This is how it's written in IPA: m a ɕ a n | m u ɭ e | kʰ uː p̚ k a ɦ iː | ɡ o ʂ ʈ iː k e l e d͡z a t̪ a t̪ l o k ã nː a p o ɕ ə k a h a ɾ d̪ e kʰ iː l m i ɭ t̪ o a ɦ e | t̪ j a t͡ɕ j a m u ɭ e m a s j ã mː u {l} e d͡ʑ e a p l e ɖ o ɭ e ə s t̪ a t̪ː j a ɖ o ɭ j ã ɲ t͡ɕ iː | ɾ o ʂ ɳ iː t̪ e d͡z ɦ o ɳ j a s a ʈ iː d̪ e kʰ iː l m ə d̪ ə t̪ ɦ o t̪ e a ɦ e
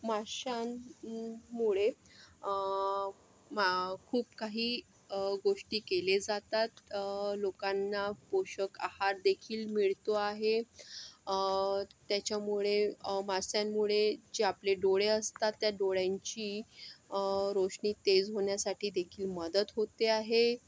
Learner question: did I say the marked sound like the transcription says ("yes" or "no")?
no